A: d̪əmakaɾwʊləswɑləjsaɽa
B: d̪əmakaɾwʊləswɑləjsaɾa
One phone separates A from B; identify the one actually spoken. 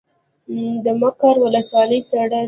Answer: A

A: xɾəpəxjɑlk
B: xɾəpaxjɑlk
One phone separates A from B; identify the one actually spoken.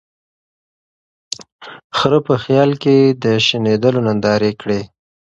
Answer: A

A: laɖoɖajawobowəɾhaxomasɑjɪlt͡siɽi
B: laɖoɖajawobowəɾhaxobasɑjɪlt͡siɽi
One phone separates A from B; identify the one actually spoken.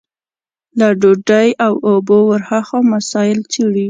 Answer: A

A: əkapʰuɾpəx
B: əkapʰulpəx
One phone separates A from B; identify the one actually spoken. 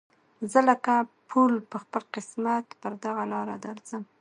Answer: B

